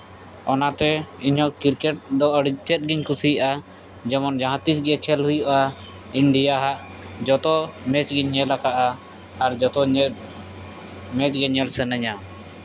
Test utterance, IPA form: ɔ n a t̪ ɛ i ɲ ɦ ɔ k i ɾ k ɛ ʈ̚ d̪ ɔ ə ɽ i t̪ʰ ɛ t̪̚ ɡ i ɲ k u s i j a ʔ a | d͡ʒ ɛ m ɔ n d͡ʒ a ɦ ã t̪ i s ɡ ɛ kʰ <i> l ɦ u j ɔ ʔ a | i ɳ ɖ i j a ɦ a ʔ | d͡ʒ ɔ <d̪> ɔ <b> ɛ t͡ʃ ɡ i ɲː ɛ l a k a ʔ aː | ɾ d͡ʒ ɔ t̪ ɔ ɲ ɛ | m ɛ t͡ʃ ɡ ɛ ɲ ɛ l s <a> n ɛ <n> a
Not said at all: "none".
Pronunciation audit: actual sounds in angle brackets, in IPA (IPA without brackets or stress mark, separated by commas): ɛ, t̪, m, ɛ, ɲ